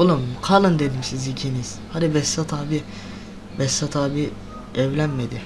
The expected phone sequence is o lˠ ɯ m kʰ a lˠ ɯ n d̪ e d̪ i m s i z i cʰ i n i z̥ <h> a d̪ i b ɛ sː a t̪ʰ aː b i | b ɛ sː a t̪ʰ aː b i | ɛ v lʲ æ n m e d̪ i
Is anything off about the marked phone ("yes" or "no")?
no